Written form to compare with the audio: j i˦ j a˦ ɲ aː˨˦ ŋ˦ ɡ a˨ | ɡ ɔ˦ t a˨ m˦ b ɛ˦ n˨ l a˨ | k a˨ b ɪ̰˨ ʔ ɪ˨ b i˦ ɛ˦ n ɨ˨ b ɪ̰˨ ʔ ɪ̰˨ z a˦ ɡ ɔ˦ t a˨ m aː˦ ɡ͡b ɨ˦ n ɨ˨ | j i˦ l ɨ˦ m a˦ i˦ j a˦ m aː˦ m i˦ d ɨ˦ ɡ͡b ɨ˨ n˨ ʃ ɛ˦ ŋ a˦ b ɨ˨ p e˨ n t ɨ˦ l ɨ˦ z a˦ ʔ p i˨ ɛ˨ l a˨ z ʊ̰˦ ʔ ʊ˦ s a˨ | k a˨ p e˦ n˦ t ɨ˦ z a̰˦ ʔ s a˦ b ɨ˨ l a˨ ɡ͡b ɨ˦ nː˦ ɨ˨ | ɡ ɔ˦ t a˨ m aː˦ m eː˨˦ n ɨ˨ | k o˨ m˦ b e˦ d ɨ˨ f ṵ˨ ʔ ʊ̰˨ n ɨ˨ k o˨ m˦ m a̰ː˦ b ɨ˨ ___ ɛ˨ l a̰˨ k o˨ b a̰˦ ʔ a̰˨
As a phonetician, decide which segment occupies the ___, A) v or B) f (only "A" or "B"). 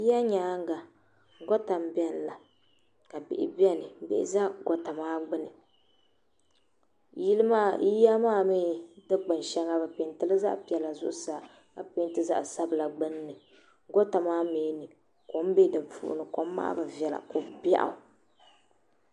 A